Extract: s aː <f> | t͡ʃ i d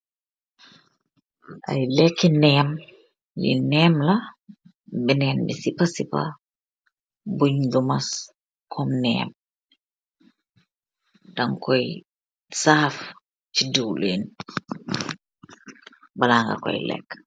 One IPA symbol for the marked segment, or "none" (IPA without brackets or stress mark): f